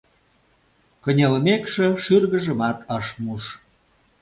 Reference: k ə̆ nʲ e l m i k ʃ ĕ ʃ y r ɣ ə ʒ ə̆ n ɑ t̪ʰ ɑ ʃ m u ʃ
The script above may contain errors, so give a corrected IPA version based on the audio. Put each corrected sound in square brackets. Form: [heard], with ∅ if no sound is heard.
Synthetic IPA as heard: k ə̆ nʲ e l m [e] k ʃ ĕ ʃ y r ɣ ə ʒ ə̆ [m] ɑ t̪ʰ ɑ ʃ m u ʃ